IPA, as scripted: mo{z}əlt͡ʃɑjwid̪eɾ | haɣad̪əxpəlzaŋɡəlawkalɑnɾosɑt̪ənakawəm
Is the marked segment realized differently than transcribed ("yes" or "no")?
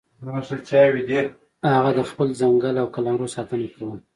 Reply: yes